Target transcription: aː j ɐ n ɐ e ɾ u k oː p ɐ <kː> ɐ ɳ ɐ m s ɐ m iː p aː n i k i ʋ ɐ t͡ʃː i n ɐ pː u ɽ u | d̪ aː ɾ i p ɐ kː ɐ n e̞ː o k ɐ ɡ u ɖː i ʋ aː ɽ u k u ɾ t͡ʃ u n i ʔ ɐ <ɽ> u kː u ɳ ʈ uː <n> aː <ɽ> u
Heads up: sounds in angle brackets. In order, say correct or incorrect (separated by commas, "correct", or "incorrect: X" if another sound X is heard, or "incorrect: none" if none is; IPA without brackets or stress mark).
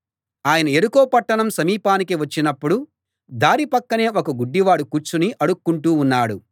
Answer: incorrect: ʈː, correct, incorrect: nː, correct